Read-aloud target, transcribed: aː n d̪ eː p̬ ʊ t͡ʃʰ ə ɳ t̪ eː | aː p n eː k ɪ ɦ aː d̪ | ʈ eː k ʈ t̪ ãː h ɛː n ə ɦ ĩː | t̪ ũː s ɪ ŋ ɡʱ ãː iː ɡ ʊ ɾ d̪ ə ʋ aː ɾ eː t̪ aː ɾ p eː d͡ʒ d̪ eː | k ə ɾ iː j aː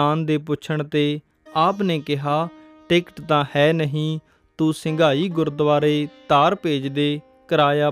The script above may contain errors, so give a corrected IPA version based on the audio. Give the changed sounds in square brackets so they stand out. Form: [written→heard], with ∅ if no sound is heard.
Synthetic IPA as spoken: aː n d̪ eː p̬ ʊ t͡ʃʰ ə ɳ t̪ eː | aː p n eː k ɪ ɦ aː [d̪→∅] | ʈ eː k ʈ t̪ ãː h ɛː n ə ɦ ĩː | t̪ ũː s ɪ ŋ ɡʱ [ãː→aː] iː ɡ ʊ ɾ d̪ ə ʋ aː ɾ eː t̪ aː ɾ p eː d͡ʒ d̪ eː | k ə ɾ [iː→aː] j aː